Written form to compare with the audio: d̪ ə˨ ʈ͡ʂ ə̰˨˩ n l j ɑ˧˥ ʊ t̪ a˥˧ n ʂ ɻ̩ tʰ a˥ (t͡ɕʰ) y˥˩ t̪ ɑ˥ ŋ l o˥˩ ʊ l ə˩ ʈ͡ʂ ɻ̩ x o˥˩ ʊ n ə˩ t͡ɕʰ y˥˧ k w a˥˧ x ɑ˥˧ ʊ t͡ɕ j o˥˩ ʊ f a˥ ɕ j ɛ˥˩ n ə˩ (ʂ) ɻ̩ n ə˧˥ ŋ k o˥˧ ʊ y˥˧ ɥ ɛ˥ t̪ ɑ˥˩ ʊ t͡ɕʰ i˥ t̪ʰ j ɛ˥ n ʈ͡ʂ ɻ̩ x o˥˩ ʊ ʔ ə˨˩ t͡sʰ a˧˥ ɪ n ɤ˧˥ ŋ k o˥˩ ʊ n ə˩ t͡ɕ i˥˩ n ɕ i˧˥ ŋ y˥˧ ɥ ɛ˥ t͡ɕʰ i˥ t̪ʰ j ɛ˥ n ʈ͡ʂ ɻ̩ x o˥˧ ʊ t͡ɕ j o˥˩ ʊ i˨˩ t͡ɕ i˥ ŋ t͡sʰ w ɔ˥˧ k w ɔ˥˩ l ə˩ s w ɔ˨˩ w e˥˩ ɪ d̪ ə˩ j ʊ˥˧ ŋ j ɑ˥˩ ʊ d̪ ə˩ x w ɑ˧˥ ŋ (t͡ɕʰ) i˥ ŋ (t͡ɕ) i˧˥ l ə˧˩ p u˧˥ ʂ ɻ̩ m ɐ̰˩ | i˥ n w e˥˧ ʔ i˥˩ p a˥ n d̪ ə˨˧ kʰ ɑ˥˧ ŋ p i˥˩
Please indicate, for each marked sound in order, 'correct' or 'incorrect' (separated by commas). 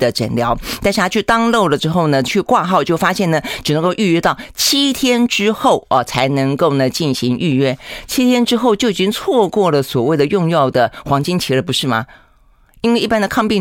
correct, incorrect, incorrect, incorrect